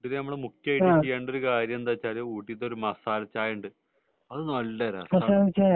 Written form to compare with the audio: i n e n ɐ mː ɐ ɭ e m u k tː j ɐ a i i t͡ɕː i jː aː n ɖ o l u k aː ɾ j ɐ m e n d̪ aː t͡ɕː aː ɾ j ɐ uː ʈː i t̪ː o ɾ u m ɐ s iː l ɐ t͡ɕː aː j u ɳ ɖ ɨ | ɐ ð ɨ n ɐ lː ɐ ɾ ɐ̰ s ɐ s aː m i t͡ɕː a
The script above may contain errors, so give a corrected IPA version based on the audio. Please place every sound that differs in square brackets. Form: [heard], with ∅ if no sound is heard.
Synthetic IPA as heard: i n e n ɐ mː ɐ ɭ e m u k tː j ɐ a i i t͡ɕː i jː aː [ɳ] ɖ o [ɾ] u k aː ɾ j ɐ m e n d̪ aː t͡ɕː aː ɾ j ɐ uː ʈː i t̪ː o ɾ u m ɐ s [aː] l ɐ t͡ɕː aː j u ɳ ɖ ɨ | ɐ ð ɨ n ɐ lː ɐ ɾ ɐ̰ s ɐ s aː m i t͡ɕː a